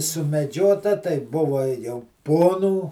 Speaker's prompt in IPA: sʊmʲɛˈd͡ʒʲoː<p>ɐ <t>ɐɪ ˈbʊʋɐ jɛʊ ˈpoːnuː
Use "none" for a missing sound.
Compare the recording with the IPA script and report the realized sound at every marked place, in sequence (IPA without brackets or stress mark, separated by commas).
t, t